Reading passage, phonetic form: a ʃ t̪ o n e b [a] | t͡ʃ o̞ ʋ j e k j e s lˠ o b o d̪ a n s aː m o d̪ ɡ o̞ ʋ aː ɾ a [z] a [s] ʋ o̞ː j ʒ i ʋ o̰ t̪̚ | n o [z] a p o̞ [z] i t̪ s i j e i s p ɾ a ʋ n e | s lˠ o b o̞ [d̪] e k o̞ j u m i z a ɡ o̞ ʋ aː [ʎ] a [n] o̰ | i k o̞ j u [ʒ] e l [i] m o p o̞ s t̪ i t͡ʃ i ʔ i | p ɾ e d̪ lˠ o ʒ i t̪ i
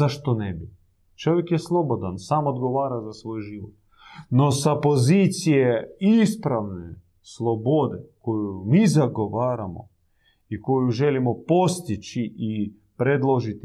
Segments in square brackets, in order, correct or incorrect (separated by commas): incorrect, correct, correct, incorrect, correct, correct, incorrect, incorrect, correct, correct